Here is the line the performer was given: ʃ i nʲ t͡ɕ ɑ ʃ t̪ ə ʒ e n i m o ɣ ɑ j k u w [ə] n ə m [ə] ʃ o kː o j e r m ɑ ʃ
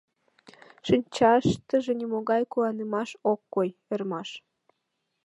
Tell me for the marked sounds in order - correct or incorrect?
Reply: incorrect: ɑ, incorrect: ɑ

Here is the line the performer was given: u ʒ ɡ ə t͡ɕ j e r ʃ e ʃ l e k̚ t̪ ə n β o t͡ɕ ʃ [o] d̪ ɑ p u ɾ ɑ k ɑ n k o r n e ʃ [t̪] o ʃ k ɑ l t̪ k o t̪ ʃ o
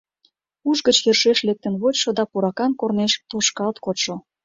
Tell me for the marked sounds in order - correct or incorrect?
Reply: correct, correct

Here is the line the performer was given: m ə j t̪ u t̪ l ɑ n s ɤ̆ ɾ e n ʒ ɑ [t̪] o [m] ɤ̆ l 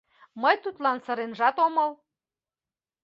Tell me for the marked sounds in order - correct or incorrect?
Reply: correct, correct

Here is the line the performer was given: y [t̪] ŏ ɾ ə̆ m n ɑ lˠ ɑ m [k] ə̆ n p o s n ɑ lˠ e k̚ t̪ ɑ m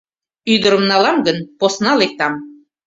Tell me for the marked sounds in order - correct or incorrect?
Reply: incorrect: d̪, incorrect: ɡ

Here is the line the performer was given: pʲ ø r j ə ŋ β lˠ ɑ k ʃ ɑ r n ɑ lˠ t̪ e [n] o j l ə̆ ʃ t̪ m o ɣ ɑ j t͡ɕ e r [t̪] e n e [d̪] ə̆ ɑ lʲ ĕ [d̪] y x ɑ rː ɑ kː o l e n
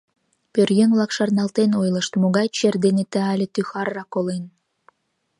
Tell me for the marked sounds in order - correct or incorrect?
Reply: correct, incorrect: d̪, incorrect: t̪, incorrect: t̪

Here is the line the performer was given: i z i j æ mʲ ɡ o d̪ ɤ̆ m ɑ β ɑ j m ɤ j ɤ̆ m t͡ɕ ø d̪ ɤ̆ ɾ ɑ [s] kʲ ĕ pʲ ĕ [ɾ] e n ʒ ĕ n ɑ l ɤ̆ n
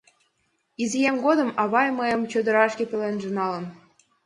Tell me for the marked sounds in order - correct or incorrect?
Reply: incorrect: ʃ, incorrect: l

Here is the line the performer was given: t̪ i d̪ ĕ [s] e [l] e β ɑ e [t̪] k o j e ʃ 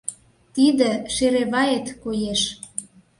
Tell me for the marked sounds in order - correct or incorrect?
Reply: incorrect: ʃ, incorrect: ɾ, correct

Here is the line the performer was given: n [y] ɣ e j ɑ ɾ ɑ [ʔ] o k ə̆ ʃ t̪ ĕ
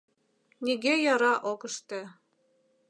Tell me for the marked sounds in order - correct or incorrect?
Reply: incorrect: i, correct

